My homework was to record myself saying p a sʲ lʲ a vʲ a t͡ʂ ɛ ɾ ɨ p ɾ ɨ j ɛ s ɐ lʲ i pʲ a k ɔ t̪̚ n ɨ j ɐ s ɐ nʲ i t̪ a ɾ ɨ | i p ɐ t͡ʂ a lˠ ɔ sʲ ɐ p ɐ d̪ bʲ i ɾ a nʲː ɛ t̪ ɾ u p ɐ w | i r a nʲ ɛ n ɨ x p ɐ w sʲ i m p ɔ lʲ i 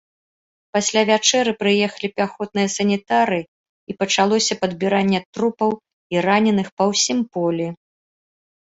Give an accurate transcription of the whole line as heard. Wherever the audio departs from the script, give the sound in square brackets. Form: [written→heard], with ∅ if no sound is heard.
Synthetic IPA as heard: p a sʲ lʲ a vʲ a t͡ʂ ɛ ɾ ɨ p ɾ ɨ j ɛ [s→x] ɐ lʲ i pʲ a [k→x] ɔ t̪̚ n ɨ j ɐ s ɐ nʲ i t̪ a ɾ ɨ | i p ɐ t͡ʂ a lˠ ɔ sʲ ɐ p ɐ d̪ bʲ i ɾ a nʲː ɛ t̪ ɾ u p ɐ w | i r a nʲ ɛ n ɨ x p ɐ w sʲ i m p ɔ lʲ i